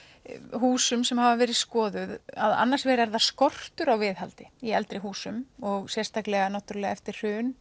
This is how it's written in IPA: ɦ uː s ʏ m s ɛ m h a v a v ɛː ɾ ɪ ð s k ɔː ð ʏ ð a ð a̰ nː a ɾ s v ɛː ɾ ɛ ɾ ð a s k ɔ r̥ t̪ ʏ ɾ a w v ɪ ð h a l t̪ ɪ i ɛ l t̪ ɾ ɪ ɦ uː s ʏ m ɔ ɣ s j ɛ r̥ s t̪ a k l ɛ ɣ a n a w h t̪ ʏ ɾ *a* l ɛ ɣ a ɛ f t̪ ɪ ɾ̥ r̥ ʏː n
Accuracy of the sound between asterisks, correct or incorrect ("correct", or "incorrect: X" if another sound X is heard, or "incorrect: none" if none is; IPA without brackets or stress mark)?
correct